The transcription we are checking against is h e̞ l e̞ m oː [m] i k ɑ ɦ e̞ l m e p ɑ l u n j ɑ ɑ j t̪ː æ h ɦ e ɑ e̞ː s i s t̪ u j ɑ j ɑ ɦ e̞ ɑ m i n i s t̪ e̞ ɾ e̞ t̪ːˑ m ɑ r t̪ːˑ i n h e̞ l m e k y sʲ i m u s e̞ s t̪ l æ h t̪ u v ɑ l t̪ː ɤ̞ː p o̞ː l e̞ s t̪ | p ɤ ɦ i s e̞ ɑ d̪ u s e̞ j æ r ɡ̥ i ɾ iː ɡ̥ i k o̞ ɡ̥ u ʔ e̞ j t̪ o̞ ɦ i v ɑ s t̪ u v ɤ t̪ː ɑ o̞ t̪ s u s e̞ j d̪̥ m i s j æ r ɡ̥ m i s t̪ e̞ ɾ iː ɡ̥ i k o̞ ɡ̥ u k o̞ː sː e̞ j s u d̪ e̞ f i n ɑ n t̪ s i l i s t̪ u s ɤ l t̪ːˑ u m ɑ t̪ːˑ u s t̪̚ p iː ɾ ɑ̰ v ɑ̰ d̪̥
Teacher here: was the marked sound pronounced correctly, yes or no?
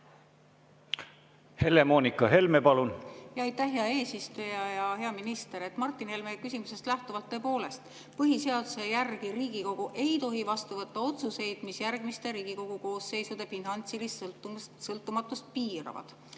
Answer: no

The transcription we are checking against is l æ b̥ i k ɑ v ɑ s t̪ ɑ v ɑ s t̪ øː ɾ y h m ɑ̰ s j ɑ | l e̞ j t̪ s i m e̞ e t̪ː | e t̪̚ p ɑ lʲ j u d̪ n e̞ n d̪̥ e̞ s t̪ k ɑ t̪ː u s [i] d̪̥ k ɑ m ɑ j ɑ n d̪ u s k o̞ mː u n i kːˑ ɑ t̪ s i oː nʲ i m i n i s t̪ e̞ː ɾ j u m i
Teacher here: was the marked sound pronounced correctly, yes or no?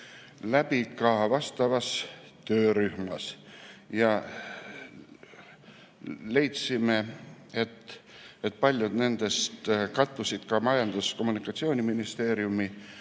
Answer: yes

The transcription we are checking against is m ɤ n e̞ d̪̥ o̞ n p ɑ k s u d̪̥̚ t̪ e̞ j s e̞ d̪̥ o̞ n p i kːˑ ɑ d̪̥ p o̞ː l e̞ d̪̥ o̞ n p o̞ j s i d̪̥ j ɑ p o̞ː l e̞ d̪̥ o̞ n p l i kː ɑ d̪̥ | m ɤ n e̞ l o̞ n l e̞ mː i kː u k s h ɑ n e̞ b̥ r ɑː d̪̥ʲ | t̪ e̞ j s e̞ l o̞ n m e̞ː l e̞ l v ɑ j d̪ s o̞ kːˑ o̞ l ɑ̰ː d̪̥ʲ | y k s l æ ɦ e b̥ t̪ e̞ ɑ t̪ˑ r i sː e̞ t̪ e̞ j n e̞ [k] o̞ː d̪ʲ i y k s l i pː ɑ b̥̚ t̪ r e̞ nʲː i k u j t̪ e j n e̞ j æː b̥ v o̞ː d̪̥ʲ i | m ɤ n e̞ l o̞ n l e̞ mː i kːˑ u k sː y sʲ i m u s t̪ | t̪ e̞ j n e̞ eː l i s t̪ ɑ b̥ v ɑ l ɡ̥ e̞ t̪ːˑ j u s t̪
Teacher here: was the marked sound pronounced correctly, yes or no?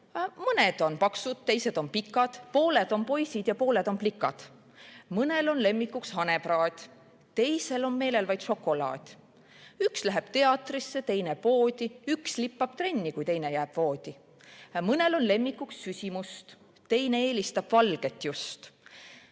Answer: no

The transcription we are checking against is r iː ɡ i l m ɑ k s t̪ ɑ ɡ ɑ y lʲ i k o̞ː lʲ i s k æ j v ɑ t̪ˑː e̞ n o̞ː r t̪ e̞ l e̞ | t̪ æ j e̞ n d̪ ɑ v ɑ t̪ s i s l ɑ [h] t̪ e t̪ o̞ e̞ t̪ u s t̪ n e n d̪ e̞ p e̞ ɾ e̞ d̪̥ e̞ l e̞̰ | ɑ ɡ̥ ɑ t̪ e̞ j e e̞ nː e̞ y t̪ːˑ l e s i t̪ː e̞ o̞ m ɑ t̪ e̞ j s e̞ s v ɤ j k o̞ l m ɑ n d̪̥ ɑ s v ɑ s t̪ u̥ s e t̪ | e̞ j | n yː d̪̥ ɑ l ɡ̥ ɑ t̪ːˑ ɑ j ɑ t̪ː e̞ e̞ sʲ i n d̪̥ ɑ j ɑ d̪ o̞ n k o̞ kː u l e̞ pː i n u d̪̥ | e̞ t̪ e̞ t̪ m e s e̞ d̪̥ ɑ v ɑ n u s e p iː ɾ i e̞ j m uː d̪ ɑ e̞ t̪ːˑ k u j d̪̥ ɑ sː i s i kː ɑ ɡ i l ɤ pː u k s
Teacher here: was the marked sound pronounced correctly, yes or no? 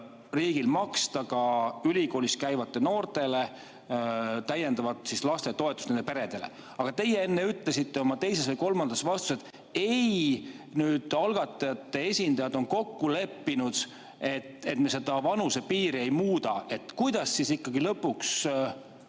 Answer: no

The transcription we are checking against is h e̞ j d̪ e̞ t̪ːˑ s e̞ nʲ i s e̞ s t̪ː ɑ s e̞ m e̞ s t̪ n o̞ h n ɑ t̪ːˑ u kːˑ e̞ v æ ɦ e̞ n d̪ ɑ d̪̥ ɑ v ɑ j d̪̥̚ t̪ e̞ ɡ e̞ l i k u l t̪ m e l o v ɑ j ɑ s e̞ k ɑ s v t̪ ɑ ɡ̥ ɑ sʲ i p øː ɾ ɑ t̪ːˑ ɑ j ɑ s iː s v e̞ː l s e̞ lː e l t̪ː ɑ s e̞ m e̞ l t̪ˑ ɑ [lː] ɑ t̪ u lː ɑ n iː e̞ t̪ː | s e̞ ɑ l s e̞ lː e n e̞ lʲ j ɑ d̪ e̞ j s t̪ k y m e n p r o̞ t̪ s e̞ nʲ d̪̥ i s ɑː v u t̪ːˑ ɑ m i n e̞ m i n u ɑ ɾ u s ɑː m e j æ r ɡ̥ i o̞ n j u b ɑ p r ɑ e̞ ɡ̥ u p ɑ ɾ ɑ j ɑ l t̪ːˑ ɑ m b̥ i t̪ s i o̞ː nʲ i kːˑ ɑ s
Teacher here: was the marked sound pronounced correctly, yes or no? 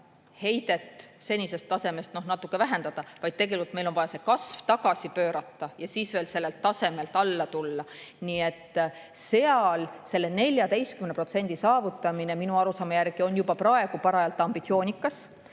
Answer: yes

